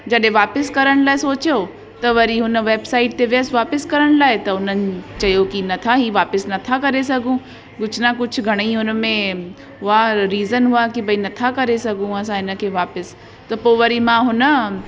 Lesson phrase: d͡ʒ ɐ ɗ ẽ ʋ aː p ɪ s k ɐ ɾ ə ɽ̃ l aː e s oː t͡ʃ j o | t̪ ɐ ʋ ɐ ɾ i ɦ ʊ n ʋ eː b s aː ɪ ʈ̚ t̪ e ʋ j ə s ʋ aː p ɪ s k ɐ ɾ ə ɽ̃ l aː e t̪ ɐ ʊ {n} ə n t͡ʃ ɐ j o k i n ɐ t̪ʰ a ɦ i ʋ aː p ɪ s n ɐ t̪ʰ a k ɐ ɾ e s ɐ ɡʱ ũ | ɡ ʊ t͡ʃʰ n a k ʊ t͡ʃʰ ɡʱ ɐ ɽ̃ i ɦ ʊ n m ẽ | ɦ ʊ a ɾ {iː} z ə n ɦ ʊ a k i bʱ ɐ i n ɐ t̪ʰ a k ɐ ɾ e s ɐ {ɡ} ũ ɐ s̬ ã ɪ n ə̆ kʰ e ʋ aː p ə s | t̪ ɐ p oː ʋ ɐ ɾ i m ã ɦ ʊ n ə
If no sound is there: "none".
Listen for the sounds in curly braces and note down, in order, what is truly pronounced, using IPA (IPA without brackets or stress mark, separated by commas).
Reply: n, iː, ɡ